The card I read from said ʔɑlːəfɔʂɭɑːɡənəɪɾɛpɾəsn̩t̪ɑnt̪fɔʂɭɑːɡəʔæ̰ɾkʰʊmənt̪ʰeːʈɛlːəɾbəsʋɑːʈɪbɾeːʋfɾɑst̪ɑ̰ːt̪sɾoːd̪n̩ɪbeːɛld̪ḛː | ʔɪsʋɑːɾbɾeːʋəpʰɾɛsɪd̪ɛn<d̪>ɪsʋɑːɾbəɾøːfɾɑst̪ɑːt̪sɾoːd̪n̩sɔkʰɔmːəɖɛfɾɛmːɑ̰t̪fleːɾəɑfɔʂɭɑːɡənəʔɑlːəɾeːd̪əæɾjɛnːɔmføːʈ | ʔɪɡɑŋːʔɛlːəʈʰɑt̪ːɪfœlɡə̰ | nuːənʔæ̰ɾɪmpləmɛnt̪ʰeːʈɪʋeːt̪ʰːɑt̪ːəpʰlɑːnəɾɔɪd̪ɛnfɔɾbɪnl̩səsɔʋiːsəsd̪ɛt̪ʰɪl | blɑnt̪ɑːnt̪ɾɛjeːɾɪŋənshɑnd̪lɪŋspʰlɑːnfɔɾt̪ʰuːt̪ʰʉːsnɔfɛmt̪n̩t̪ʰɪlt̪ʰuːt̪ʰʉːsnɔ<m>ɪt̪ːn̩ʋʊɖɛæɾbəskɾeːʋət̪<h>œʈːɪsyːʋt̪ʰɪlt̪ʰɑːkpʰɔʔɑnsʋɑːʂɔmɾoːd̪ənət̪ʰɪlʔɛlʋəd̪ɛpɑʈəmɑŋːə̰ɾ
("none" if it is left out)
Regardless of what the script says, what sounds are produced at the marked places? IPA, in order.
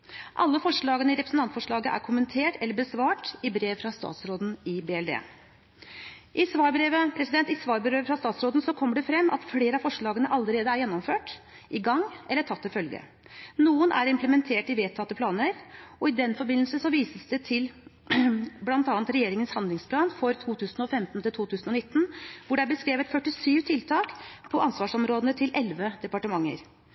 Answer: t̪, n, f

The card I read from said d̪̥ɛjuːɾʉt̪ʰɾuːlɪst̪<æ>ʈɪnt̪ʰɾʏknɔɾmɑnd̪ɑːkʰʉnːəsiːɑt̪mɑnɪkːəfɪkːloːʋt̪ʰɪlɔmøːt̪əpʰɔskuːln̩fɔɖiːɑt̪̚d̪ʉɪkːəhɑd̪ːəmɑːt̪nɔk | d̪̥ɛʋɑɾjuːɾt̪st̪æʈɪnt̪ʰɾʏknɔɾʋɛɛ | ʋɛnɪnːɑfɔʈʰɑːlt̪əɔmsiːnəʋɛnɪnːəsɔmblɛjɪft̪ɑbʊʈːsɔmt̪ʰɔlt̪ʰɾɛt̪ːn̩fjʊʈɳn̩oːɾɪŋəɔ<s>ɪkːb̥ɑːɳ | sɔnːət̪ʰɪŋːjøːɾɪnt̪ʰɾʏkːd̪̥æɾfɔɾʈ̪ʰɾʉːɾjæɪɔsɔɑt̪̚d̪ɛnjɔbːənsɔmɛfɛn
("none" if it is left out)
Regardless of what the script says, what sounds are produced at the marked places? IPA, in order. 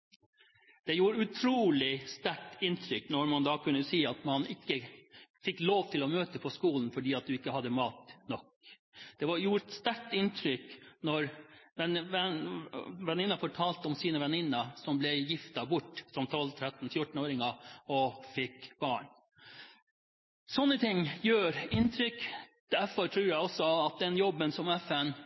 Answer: æ, f

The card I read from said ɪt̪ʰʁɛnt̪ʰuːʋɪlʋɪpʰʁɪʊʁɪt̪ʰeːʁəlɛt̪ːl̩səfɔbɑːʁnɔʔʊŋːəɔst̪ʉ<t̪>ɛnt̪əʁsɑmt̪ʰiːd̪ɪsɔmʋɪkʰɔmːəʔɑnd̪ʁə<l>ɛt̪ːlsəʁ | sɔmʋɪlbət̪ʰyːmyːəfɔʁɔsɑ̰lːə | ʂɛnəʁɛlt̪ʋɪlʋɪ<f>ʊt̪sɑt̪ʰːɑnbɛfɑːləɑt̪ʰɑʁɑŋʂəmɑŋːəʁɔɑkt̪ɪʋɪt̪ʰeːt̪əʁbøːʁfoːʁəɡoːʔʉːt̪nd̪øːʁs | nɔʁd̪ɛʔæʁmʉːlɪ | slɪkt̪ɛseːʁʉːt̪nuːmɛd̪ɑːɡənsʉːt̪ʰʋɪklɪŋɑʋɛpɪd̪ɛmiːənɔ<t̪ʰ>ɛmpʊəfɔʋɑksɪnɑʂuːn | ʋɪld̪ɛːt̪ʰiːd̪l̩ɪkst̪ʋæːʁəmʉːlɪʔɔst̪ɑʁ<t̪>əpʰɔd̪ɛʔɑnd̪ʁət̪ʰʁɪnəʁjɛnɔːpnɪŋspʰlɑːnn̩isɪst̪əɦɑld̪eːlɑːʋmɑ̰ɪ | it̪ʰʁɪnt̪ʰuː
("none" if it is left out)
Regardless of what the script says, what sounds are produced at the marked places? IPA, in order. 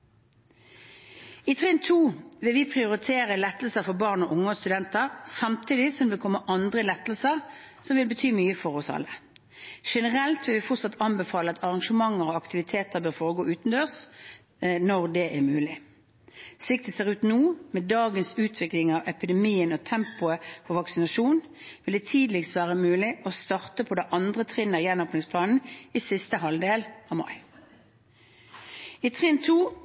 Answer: d̪, l, f, t̪ʰ, t̪

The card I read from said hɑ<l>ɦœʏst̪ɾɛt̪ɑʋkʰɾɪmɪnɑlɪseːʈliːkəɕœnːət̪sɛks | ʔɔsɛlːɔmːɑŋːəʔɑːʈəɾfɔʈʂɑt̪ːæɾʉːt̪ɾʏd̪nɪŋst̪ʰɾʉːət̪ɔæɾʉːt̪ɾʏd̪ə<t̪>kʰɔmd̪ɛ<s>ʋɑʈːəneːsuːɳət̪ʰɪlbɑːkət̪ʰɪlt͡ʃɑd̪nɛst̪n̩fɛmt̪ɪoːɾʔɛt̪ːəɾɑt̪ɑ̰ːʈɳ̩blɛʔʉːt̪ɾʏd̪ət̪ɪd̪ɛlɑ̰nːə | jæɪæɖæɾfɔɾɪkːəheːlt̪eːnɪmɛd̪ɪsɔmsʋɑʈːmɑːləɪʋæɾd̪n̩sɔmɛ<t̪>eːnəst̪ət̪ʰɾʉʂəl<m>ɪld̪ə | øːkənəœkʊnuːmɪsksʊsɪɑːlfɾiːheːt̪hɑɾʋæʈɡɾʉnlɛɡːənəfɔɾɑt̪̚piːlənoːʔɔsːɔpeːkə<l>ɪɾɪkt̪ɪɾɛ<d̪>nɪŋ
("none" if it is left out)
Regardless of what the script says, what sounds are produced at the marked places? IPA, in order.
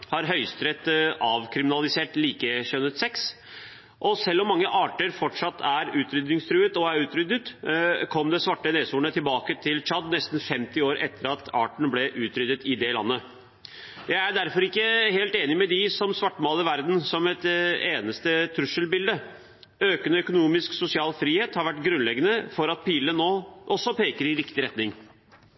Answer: ɾ, t̪, s, t̪, b, ɾ, t̪

